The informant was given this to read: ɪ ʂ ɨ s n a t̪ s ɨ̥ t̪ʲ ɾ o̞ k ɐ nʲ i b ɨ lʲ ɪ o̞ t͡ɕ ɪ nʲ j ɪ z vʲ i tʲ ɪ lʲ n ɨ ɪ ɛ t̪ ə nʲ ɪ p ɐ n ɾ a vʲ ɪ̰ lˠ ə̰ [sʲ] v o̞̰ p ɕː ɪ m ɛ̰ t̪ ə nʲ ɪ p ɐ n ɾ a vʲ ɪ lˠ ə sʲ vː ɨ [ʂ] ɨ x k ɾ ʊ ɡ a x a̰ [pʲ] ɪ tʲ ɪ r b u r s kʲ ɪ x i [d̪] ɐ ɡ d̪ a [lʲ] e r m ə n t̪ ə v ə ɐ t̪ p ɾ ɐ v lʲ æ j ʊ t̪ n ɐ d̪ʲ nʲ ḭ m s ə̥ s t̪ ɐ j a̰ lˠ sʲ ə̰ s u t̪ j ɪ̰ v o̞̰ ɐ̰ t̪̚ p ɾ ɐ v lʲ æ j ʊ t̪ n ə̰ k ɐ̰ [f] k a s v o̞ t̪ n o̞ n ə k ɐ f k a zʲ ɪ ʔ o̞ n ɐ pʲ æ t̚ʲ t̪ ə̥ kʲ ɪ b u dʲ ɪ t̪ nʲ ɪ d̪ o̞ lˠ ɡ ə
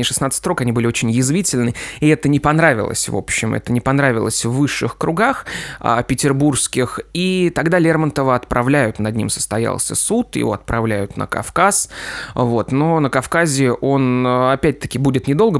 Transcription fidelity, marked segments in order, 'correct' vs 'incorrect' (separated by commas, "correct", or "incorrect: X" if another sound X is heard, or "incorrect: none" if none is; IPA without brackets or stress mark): correct, incorrect: ʂː, correct, incorrect: t̪, correct, correct